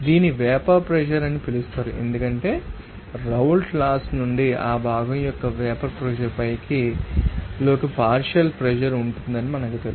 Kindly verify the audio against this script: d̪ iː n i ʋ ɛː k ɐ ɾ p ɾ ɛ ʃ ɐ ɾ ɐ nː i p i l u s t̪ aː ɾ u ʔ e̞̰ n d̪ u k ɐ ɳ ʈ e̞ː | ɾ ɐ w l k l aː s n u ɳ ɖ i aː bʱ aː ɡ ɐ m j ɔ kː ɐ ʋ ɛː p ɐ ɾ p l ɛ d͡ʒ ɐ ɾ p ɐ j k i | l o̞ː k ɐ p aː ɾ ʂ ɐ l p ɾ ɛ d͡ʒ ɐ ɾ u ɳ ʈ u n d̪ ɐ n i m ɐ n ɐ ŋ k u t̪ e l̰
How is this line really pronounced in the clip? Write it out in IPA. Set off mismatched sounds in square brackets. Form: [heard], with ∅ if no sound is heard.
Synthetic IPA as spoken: d̪ iː n i ʋ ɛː [p] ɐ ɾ p ɾ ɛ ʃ ɐ ɾ ɐ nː i p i l u s t̪ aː ɾ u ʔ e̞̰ n d̪ u k ɐ ɳ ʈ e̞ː | ɾ ɐ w l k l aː s n u ɳ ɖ i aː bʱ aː ɡ ɐ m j ɔ kː ɐ ʋ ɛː p ɐ ɾ p [ɾ] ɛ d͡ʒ ɐ ɾ p ɐ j k i | l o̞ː k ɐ p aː ɾ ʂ ɐ l p ɾ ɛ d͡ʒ ɐ ɾ u ɳ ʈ u n d̪ ɐ n i m ɐ n ɐ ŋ k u t̪ e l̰